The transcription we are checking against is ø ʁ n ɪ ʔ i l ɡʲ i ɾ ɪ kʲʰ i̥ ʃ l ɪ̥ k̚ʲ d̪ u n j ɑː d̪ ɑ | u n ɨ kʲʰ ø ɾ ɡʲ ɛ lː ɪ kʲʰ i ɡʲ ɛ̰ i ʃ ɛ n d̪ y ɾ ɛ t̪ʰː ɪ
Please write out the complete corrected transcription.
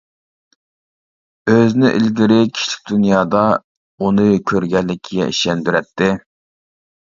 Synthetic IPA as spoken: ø z n ɪ ʔ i l ɡʲ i ɾ ɪ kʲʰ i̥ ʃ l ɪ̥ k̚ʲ d̪ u n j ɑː d̪ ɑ | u n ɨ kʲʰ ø ɾ ɡʲ ɛ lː ɪ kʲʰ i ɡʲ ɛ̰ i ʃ ɛ n d̪ y ɾ ɛ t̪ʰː ɪ